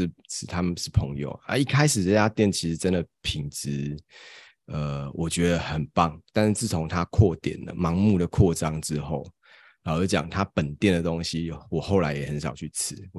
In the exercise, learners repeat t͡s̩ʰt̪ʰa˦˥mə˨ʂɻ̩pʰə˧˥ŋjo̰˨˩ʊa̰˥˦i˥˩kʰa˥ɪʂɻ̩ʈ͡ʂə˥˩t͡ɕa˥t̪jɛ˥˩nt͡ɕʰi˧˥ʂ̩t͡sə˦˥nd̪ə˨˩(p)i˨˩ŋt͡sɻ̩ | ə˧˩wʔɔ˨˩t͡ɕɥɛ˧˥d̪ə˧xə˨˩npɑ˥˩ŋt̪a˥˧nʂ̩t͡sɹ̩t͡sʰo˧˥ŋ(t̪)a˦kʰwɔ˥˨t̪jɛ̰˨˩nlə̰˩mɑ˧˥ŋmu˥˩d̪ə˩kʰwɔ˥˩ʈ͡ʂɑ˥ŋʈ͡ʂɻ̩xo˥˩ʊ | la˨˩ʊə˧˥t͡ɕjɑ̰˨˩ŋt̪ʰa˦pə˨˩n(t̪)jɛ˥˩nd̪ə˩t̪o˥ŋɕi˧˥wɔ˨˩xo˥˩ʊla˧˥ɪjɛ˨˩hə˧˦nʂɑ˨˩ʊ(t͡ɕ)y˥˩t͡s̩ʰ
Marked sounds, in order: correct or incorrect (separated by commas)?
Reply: incorrect, incorrect, correct, incorrect